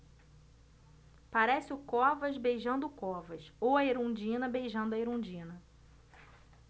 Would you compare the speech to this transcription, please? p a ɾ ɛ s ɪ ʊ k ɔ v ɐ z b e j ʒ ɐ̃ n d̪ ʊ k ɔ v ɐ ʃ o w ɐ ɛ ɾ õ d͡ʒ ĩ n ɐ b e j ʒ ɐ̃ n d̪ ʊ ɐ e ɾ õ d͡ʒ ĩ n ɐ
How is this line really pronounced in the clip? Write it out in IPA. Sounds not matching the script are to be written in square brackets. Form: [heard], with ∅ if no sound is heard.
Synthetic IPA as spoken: p a ɾ ɛ s ɪ ʊ k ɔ v ɐ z b e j ʒ ɐ̃ n d̪ ʊ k ɔ v ɐ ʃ o w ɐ [e] ɾ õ d͡ʒ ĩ n ɐ b e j ʒ ɐ̃ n d̪ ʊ ɐ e ɾ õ d͡ʒ ĩ n ɐ

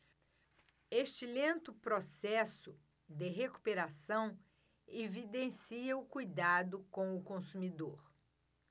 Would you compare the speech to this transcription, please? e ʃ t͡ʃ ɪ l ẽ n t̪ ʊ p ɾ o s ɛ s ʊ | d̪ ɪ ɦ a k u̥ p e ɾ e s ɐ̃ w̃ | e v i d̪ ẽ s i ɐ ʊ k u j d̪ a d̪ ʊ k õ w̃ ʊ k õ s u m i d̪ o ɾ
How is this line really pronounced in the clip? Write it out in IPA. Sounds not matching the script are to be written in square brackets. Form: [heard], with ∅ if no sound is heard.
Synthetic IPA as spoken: e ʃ t͡ʃ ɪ l ẽ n t̪ ʊ p ɾ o s ɛ s ʊ | d̪ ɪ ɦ [e] k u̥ p e ɾ [a] s ɐ̃ w̃ | e v i d̪ ẽ s i ɐ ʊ k u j d̪ a d̪ ʊ k õ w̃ ʊ k õ s u m i d̪ o ɾ

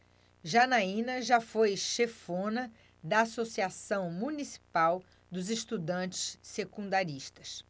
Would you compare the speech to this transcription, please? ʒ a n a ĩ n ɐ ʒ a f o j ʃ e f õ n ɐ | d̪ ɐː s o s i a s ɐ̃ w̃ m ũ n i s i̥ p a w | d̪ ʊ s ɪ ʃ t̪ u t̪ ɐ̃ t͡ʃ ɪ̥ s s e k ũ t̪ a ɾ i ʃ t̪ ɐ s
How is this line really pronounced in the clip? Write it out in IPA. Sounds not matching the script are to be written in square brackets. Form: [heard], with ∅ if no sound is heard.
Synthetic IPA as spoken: ʒ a n a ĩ n ɐ ʒ a f o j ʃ e f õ n ɐ | d̪ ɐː s o s i a s ɐ̃ w̃ m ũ n i s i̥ p a w | d̪ ʊ [z] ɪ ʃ t̪ u [d̪] ɐ̃ t͡ʃ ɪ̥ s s e k ũ [d̪] a ɾ i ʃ t̪ ɐ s

